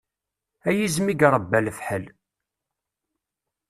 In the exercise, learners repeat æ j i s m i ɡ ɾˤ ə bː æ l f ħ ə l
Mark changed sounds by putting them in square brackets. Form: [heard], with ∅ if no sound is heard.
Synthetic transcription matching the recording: æ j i [z] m i ɡ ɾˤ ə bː æ l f ħ ə l